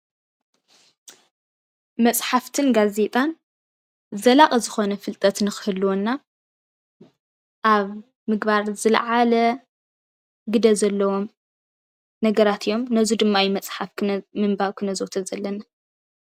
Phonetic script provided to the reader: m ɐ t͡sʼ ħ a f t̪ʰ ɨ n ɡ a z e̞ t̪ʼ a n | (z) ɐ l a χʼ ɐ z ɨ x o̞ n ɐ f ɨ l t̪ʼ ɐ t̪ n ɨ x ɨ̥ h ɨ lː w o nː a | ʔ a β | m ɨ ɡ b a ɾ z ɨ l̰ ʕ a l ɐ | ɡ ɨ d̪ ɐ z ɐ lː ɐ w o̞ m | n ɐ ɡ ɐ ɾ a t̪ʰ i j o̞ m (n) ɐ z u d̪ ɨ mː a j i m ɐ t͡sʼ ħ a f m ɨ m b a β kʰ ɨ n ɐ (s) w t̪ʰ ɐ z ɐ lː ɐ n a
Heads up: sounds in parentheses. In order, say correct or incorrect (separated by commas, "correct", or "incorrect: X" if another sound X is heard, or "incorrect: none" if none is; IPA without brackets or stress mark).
correct, correct, incorrect: z